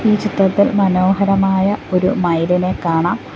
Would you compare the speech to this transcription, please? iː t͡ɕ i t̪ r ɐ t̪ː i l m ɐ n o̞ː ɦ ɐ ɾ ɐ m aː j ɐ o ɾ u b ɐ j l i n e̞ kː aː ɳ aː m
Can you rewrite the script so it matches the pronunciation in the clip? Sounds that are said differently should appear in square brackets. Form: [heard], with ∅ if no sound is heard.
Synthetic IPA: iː t͡ɕ i t̪ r ɐ t̪ː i l m ɐ n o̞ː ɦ ɐ ɾ ɐ m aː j ɐ o ɾ u [m] ɐ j l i n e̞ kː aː ɳ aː m